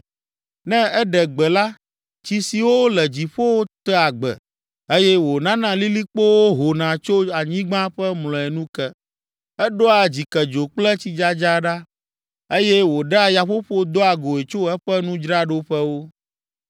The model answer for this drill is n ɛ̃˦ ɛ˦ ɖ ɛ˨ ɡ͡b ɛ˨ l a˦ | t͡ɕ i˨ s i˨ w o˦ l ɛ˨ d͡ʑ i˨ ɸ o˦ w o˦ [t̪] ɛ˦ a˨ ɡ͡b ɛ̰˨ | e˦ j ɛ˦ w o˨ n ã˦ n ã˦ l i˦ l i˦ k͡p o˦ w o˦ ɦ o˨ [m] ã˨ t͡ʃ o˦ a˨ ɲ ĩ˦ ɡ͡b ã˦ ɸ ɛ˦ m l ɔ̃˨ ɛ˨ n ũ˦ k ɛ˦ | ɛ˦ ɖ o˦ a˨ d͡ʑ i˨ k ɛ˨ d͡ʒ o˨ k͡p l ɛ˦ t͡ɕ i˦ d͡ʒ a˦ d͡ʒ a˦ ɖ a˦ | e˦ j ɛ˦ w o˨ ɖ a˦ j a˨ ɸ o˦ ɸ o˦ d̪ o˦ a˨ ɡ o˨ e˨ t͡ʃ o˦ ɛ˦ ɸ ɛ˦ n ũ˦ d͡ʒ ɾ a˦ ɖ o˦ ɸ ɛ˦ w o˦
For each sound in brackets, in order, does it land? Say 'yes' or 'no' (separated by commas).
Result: yes, no